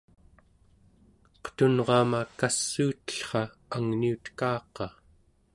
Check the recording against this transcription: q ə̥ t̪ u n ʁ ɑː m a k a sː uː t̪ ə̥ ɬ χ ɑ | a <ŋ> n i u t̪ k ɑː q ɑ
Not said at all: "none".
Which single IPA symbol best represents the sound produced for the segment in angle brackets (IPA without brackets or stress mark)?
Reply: ŋ